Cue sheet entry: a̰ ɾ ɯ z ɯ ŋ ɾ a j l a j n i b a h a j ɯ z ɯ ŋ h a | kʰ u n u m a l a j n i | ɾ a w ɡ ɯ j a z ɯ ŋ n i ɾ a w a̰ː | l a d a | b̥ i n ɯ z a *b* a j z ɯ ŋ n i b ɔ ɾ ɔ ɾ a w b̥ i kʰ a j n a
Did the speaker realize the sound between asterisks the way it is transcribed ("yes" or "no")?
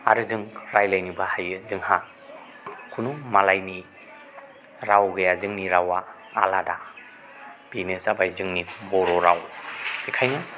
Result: yes